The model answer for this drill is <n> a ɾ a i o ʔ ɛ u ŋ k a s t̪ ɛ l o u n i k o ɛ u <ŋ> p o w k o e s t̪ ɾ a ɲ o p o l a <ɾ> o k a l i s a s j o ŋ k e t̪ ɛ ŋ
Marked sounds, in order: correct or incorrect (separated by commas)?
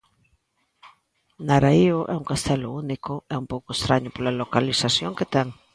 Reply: correct, incorrect, incorrect